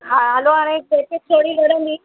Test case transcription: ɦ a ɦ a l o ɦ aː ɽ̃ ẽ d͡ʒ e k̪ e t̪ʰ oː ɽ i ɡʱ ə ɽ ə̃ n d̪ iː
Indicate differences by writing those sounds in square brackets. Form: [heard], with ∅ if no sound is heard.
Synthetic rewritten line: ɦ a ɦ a l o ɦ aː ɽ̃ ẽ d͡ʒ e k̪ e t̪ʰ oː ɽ i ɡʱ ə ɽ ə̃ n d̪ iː